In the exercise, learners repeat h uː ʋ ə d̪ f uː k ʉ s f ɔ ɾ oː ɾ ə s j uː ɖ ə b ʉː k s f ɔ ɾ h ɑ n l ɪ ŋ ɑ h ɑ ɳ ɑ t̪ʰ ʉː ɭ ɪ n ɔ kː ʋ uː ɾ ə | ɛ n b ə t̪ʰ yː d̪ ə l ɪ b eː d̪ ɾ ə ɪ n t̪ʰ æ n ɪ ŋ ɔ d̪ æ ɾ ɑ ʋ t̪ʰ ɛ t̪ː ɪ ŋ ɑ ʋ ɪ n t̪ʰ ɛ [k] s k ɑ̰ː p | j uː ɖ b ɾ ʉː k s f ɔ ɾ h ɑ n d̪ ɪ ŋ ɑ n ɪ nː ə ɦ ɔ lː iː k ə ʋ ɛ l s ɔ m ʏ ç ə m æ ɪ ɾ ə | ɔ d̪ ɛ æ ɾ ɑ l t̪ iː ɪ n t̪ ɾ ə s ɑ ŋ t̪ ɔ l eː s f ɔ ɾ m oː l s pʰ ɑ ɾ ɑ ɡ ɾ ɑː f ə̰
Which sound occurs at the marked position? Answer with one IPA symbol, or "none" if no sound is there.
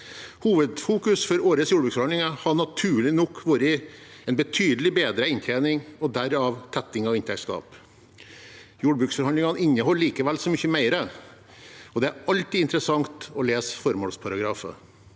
k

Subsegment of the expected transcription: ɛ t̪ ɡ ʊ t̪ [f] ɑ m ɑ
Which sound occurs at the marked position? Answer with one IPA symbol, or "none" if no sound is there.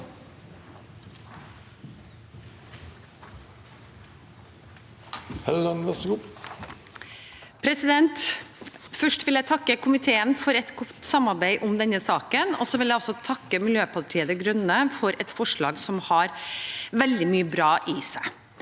s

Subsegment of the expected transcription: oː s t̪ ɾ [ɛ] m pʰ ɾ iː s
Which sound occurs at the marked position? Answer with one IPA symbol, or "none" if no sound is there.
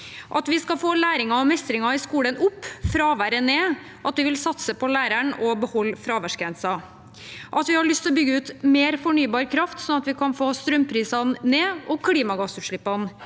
œ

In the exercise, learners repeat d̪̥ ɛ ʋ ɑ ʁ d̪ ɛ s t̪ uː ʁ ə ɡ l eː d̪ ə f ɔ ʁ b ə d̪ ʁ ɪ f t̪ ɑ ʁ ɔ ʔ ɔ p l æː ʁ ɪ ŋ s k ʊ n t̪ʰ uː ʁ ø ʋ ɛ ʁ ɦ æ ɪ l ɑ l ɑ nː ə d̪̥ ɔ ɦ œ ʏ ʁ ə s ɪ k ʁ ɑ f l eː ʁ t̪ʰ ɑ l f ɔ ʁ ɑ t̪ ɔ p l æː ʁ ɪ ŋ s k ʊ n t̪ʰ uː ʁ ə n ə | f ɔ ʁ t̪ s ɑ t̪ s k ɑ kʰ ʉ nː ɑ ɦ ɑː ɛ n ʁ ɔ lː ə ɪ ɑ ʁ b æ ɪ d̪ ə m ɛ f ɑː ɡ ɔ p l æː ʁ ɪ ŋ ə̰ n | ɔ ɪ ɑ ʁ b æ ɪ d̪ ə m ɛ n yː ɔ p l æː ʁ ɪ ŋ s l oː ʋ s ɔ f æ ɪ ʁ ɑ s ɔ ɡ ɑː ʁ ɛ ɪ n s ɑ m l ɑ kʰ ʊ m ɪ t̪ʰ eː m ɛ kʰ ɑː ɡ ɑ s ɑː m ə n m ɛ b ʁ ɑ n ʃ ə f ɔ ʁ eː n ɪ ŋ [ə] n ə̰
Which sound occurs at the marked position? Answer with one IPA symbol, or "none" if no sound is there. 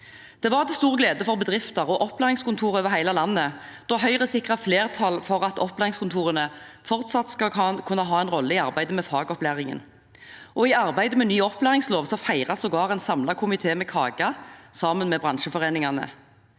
ɑ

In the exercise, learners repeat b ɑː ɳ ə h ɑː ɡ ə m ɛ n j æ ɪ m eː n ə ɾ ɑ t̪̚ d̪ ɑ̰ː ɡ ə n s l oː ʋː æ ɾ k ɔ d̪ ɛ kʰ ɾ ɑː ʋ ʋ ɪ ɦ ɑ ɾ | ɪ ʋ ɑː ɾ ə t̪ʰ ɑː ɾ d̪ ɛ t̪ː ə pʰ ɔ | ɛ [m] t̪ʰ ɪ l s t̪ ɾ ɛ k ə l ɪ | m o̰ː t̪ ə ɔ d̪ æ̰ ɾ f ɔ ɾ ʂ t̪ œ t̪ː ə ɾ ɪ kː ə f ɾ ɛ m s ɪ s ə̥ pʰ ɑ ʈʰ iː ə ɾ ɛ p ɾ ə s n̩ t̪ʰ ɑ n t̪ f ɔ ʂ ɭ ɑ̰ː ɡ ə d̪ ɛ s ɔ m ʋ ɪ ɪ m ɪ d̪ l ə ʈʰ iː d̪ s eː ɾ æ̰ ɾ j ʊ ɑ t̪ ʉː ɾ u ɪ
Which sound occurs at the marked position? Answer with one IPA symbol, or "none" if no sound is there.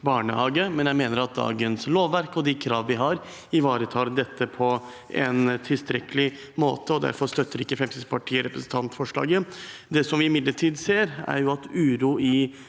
n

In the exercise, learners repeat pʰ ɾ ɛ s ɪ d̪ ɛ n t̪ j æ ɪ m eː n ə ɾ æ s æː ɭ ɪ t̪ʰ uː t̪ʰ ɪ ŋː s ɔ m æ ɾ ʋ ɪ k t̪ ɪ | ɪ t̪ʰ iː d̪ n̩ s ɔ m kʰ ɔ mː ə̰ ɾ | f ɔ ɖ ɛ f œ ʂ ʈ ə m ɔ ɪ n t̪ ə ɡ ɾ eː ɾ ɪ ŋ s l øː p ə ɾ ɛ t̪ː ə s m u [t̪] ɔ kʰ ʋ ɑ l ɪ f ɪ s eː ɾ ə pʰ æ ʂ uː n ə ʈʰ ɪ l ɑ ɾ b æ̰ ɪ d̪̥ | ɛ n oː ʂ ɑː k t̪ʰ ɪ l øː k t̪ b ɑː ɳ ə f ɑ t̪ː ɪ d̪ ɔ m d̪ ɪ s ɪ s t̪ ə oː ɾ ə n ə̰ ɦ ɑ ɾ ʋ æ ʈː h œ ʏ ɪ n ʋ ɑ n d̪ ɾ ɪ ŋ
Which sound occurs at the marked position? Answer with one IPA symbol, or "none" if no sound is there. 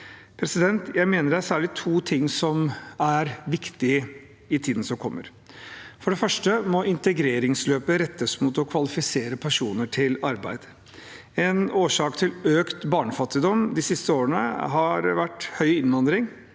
t̪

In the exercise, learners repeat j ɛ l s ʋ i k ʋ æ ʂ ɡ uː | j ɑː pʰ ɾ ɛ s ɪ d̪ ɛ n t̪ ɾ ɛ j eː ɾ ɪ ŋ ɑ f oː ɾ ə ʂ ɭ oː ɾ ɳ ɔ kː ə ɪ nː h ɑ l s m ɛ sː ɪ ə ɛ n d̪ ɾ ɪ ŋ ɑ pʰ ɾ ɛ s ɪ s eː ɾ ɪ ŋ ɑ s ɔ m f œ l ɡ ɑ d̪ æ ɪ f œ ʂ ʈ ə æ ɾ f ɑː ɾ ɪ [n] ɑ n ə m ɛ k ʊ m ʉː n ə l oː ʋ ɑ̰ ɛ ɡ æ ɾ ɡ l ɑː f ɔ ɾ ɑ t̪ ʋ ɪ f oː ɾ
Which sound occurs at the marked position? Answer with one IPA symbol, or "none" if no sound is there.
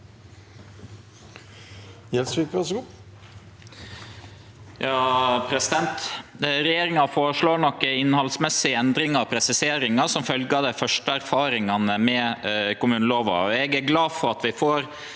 ŋ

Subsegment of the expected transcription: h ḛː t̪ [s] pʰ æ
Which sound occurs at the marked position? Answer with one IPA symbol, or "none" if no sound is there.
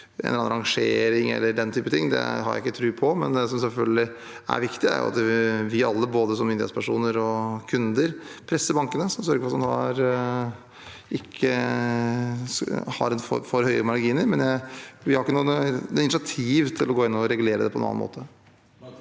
s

